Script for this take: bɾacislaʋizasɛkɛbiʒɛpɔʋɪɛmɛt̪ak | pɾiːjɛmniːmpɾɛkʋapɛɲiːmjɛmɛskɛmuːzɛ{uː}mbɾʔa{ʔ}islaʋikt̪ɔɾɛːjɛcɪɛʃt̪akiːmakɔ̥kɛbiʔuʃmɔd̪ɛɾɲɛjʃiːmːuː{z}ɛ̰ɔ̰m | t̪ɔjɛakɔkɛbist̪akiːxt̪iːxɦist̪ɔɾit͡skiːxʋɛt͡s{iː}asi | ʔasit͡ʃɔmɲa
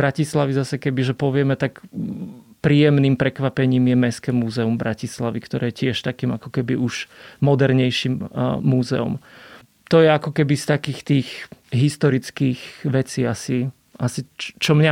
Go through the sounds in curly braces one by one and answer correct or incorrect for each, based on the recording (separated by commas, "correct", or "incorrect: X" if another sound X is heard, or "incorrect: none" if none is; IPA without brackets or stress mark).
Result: incorrect: u, incorrect: c, correct, correct